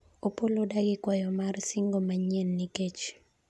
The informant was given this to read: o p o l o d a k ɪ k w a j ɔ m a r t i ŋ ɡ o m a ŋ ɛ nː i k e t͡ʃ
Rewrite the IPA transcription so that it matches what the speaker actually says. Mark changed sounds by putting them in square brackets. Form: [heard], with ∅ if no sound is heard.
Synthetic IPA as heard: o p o l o d a [ɡ] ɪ k w a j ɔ m a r [s] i ŋ ɡ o m a [ɲ] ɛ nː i k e t͡ʃ